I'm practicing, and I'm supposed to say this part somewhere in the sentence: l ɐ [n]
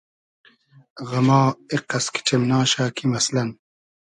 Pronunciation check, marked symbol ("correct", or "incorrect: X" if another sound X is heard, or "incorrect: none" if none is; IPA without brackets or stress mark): correct